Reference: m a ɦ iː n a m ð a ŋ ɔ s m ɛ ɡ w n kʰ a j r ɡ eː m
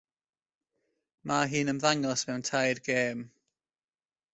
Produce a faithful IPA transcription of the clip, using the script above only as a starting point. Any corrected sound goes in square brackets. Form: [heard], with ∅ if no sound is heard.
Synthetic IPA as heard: m a ɦ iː n [ə] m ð a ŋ ɔ s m ɛ [∅] w n [tʰ] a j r ɡ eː m